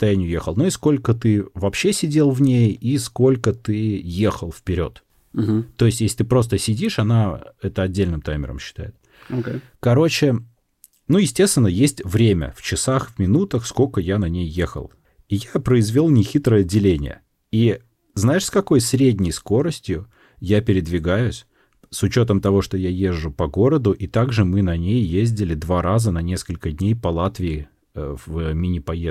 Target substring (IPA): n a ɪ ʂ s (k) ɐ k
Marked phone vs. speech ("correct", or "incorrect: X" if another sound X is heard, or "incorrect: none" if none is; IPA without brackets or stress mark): correct